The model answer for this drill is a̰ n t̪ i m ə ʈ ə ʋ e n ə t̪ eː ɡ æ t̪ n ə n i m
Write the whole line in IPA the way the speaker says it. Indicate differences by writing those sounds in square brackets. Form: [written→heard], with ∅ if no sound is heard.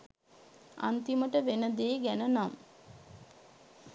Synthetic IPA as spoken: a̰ n t̪ i m ə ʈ ə ʋ e n ə [t̪→d̪] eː ɡ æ [t̪→∅] n ə n [i→a] m